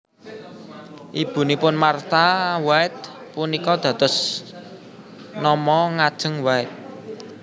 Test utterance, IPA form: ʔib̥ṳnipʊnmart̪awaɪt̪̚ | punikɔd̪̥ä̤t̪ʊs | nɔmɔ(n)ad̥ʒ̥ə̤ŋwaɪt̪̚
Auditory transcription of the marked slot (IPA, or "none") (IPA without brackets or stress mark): ŋ